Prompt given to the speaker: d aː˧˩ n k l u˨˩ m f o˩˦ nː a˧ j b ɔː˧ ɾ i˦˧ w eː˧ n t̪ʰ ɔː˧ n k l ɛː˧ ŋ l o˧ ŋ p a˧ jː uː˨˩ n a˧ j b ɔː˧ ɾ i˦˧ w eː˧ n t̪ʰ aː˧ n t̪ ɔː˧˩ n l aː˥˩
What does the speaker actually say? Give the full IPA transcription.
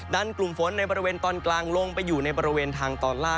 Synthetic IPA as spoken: d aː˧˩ n k l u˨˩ m f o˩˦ nː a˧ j b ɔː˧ ɾ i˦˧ w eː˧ n t̪ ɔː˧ n k l aː˧ ŋ l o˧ ŋ p a˧ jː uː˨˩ n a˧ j b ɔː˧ ɾ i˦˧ w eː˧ n t̪ʰ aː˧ ŋ t̪ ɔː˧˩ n l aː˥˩

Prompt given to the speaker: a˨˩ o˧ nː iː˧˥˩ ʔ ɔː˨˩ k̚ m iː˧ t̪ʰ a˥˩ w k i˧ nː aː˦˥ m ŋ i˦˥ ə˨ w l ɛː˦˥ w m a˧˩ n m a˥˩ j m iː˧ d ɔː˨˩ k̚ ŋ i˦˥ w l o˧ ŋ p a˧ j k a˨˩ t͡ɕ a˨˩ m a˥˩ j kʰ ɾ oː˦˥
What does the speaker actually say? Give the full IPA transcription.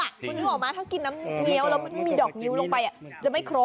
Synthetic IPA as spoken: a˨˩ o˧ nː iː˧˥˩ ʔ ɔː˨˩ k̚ m aː˧ t̪ʰ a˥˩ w k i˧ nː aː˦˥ m ŋ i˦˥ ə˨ w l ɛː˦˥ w m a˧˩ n m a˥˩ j m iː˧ d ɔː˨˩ k̚ ŋ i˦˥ w l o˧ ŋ p a˧ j ʔ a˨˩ t͡ɕ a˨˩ m a˥˩ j kʰ ɾ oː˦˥

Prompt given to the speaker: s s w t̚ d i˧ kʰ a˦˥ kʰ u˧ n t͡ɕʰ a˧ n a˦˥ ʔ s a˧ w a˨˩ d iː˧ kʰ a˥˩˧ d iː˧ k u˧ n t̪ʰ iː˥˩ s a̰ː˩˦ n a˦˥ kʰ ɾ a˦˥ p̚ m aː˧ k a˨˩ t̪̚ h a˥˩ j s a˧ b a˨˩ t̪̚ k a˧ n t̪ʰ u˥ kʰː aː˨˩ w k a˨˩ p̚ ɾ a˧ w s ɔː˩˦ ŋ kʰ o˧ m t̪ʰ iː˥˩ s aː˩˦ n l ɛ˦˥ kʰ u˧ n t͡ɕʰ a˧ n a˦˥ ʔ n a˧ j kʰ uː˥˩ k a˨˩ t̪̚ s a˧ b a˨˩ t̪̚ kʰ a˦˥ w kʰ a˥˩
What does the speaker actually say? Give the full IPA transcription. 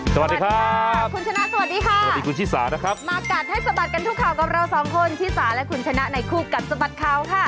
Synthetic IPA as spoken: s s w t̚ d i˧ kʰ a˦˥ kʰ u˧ n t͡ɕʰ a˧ n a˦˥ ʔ s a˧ w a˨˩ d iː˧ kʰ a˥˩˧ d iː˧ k u˧ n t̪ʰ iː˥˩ s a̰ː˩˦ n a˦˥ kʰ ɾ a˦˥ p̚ m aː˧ k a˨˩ t̪̚ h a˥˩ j s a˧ b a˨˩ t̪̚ k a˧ n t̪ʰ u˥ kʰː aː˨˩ w k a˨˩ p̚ ɾ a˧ w s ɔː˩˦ ŋ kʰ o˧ n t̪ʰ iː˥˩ s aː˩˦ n l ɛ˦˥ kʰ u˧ n t͡ɕʰ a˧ n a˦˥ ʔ n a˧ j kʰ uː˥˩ k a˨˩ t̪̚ s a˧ b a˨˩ t̪̚ kʰ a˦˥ w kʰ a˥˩

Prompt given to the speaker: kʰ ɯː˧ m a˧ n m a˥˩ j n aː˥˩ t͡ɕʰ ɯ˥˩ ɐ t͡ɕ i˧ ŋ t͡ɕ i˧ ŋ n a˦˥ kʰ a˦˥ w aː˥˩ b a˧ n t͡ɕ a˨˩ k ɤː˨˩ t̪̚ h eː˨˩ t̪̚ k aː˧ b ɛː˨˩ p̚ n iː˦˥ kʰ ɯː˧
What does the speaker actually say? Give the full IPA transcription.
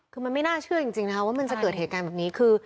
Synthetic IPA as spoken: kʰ ɯː˧ m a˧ n m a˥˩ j n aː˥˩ t͡ɕʰ ɯ˥˩ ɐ t͡ɕ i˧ ŋ t͡ɕ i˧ ŋ n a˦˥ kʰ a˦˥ w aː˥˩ m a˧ n t͡ɕ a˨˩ k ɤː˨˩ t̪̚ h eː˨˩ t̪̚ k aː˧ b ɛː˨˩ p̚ n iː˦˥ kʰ ɯː˧

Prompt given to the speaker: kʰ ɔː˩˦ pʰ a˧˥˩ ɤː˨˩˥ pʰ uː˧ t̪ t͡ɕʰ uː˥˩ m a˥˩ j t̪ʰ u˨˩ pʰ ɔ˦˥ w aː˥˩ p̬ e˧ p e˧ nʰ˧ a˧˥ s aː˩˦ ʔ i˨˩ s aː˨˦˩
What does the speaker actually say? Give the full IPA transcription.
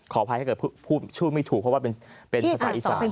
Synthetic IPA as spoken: kʰ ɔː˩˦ pʰ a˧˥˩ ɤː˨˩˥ pʰ uː˥˩ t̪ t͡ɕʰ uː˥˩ m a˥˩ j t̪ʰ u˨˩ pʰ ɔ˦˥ w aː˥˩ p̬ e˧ p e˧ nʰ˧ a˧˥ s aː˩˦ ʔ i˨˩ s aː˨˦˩

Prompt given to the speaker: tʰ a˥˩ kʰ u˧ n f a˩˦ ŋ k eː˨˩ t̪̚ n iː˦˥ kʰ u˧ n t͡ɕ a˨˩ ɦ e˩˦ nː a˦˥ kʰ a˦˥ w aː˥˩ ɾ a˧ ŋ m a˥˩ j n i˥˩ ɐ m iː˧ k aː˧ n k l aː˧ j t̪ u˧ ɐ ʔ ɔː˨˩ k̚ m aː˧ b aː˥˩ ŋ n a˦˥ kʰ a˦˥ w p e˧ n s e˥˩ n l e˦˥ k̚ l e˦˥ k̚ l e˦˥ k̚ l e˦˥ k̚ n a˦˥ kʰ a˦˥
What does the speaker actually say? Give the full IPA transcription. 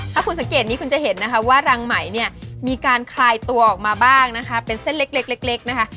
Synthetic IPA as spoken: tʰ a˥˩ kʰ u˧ n s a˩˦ ŋ k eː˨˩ t̪̚ n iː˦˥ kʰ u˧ n t͡ɕ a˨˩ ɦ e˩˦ nː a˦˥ kʰ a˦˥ w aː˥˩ ɾ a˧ ŋ m a˩˦ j n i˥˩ ɐ m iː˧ k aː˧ n kʰ l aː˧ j t̪ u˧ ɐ ʔ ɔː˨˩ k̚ m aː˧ b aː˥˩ ŋ n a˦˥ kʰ a˦˥ p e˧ n s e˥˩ n l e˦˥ k̚ l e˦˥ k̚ l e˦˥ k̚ l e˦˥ k̚ n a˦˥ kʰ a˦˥

